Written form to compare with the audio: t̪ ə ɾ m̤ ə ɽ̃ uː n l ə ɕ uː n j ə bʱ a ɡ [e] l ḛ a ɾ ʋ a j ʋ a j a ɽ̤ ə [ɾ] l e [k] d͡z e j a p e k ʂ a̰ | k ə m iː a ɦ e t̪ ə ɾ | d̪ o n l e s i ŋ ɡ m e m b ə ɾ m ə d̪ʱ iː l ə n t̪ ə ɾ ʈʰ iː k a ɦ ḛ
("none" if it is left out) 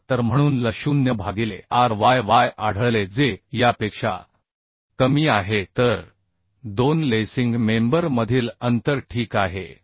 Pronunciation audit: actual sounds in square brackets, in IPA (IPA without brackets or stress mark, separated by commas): i, ɭ, none